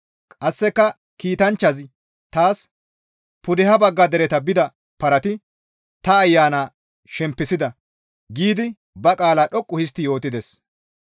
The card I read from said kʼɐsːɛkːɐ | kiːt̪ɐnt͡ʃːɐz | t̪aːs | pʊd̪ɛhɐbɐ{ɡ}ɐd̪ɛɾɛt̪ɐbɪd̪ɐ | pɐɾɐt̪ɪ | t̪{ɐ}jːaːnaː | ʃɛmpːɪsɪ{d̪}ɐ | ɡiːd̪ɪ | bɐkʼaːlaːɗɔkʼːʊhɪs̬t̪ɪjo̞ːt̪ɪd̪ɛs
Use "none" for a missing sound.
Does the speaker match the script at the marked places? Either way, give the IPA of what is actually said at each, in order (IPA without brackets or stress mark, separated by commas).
ɡː, ɐː, d̪